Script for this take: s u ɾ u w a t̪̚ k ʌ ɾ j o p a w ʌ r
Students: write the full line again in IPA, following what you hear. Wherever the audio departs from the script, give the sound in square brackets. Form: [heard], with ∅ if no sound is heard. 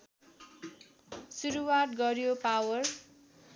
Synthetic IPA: s u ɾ u w a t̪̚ [ɡ] ʌ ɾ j o p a w ʌ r